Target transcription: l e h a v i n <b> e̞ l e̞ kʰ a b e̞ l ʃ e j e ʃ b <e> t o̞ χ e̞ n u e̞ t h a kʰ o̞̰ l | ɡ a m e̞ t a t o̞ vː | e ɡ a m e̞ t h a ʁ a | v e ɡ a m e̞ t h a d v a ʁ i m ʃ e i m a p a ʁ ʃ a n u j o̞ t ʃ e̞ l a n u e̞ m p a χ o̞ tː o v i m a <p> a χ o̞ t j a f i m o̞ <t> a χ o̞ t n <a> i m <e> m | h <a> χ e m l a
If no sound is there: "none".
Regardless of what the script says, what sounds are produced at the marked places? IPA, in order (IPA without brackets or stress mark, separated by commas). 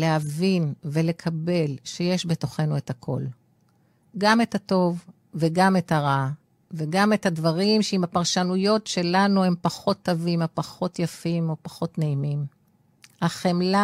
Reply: v, e, p, p, e, i, a